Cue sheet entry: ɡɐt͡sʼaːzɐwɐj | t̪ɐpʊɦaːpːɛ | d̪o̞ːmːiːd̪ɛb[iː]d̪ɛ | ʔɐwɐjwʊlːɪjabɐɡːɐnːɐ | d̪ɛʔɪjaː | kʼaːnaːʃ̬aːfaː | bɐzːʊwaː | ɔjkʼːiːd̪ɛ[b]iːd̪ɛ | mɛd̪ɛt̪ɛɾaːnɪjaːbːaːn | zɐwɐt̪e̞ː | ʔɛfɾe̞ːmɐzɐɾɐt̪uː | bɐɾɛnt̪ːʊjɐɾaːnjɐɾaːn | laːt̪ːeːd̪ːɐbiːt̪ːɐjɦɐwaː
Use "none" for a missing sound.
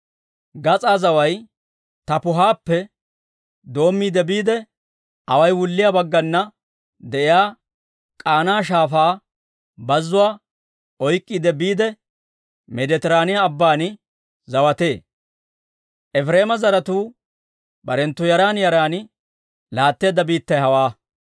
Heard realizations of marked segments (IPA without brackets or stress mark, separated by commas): iː, b